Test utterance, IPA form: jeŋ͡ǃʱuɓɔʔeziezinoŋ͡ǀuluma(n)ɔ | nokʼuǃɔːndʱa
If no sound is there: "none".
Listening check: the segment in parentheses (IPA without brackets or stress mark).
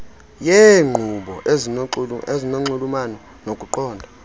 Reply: n